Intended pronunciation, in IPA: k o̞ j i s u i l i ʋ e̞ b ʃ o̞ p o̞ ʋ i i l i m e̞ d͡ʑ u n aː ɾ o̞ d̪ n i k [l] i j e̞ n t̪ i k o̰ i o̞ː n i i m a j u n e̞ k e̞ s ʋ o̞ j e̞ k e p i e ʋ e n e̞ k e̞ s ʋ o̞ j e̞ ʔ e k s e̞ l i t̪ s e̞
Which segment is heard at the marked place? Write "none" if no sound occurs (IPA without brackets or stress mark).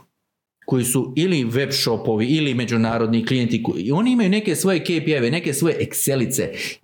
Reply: l